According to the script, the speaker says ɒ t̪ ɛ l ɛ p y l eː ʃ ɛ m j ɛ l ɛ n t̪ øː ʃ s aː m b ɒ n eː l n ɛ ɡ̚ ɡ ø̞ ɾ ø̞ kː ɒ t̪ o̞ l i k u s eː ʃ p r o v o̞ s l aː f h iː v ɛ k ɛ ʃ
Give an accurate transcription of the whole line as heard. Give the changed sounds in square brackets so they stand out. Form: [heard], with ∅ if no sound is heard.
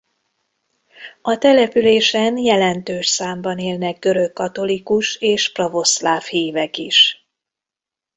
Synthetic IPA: ɒ t̪ ɛ l ɛ p y l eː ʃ ɛ [n] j ɛ l ɛ n t̪ øː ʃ s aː m b ɒ n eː l n ɛ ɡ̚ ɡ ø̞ ɾ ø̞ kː ɒ t̪ o̞ l i k u [ʃ] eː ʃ p r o v o̞ s l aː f h iː v ɛ k [i] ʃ